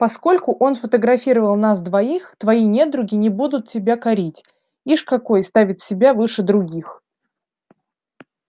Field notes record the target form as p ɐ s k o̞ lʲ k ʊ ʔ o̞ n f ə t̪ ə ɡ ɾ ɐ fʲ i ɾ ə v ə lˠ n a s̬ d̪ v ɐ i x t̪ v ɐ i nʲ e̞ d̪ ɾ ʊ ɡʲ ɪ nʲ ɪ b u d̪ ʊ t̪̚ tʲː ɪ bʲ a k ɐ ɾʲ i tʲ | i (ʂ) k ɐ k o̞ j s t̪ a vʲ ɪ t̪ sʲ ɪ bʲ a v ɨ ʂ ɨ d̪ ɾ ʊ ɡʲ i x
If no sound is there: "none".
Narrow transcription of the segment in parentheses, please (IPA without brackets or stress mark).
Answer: ʂ